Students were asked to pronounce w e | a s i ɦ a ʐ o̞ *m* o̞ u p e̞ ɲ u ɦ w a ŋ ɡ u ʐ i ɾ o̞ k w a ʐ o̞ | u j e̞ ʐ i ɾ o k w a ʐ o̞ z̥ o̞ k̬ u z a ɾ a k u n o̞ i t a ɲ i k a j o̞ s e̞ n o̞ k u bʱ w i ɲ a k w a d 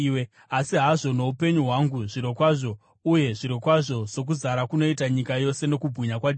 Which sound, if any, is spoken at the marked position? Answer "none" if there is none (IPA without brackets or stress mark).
n